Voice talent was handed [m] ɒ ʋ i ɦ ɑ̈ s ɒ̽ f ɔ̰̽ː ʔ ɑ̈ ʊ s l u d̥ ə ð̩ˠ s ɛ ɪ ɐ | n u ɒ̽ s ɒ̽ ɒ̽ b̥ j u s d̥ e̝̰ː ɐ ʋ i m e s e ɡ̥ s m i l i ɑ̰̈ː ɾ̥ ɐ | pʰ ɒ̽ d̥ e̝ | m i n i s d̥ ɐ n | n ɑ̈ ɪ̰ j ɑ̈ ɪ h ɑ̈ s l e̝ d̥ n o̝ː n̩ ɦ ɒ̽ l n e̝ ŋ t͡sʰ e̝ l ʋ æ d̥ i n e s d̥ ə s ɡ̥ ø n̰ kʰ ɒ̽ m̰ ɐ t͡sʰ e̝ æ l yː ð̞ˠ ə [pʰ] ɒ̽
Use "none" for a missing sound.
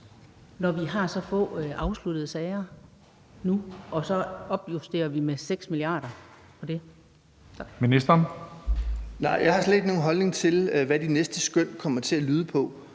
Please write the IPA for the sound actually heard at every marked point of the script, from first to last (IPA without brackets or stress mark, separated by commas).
n, pʰ